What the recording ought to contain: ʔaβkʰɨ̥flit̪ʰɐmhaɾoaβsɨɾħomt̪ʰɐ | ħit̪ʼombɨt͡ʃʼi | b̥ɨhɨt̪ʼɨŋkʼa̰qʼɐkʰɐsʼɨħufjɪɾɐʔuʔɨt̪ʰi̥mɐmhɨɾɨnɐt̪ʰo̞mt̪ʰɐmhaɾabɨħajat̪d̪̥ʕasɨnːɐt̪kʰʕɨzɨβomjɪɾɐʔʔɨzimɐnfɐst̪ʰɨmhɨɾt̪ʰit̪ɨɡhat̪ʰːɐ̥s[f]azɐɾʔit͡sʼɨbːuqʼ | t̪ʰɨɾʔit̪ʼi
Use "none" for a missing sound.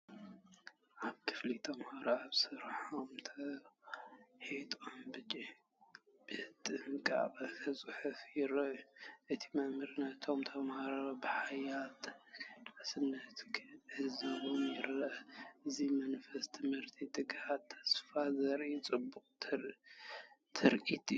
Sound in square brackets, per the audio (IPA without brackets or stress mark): f